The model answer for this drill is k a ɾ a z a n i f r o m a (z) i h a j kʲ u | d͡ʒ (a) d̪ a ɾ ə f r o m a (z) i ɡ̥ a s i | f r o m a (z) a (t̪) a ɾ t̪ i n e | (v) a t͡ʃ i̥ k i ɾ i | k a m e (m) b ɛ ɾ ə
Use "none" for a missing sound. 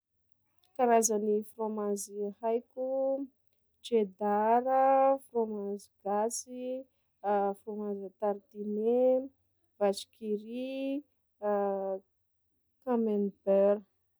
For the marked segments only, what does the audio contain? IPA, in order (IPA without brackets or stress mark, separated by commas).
z, e, z, z, t̪, v, n